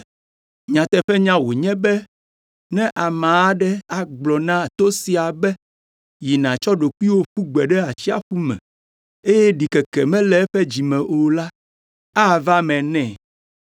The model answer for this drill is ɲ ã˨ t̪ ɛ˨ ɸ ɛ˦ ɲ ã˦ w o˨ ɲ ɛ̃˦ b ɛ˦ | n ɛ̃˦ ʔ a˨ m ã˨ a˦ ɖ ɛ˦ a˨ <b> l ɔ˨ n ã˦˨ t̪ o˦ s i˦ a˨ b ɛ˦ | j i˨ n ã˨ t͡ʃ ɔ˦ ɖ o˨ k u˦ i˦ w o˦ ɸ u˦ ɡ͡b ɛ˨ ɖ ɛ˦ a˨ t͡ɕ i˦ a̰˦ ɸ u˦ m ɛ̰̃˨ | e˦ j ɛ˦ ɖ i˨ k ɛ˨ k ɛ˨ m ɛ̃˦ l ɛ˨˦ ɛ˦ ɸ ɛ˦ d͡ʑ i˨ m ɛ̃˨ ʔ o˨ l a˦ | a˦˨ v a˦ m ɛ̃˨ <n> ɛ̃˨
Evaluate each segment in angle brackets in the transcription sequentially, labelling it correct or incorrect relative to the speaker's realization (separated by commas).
incorrect, correct